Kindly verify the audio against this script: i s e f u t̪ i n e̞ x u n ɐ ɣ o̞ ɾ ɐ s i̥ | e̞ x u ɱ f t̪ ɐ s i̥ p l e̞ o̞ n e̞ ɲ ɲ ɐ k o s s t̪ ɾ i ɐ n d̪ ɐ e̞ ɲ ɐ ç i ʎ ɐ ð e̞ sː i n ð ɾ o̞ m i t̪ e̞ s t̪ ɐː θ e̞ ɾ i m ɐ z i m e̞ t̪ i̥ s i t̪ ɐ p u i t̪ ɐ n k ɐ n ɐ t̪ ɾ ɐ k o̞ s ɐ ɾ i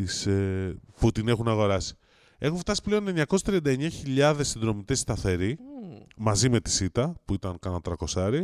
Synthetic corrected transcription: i s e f u t̪ i n e̞ x u n ɐ ɣ o̞ ɾ ɐ s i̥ | e̞ x u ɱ f t̪ ɐ s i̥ p l e̞ o̞ n e̞ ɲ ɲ ɐ k o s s t̪ ɾ i ɐ n d̪ ɐ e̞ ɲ ɐ ç i ʎ ɐ ð e̞ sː i n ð ɾ o̞ m i t̪ e̞ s t̪ ɐ θ e̞ ɾ i m ɐ z i m e̞ t̪ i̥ s i t̪ ɐ p u i t̪ ɐ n k ɐ n ɐ t̪ ɾ ɐ k o̞ s ɐ ɾ i